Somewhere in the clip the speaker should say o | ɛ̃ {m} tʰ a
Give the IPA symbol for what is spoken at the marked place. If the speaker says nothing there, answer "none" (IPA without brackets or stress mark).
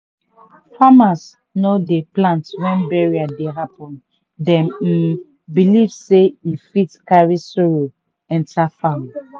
n